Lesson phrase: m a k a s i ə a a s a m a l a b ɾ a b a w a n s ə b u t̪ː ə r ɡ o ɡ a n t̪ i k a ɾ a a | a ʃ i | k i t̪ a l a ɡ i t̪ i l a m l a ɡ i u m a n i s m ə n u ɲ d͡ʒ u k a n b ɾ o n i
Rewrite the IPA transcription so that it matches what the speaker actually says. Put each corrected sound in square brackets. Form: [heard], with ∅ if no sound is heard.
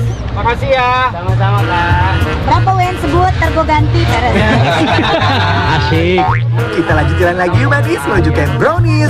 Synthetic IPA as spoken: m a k a s i [a] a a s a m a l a b ɾ a [p] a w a n s ə b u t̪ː ə r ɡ o ɡ a n t̪ i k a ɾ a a | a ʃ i | k i t̪ a l a ɡ i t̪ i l a [n] l a ɡ i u m a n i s m ə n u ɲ d͡ʒ u k a n b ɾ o n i